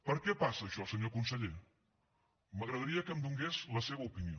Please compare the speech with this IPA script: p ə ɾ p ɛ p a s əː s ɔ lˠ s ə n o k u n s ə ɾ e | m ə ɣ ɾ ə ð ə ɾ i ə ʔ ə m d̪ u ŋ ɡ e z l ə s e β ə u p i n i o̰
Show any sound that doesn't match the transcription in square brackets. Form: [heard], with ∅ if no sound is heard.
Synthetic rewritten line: p ə ɾ [k] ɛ p a s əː [ʃ] ɔ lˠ s ə [ɲ] o k u n s ə [ʎ] e | m ə ɣ ɾ ə ð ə ɾ i ə [k] ə m d̪ u ŋ ɡ e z l ə s e β ə u p i n i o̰